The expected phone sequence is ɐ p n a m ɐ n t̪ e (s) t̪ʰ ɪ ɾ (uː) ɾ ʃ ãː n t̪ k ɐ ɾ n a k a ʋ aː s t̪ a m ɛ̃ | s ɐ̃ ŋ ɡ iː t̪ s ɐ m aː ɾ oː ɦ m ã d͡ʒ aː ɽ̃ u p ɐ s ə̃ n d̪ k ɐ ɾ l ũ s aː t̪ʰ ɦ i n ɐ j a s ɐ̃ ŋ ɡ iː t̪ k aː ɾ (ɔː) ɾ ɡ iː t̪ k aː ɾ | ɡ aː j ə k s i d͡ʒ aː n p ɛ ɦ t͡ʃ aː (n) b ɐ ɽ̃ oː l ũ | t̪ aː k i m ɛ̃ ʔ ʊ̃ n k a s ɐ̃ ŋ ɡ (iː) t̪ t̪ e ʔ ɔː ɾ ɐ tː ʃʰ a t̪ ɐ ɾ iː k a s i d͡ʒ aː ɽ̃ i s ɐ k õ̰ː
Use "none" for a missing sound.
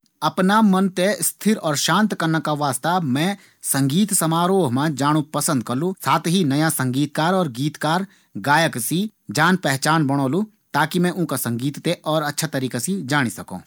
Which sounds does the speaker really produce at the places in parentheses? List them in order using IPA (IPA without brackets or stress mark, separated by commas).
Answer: s, ɔː, ɔː, n, iː